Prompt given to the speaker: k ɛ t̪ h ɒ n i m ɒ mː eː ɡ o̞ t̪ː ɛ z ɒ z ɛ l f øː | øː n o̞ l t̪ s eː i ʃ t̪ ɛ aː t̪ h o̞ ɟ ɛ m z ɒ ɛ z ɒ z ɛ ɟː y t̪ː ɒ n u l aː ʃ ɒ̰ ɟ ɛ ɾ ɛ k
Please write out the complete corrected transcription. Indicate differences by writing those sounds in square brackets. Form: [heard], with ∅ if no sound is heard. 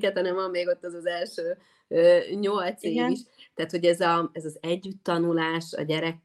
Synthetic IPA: k ɛ t̪ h ɒ n [ɛ] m ɒ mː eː ɡ o̞ t̪ː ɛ z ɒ z ɛ l [ʃ] øː | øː [ɲ] o̞ l t̪ s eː i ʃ t̪ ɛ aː t̪ h o̞ ɟ ɛ [∅] z ɒ ɛ z ɒ z ɛ ɟː y t̪ː ɒ n u l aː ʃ ɒ̰ ɟ ɛ ɾ ɛ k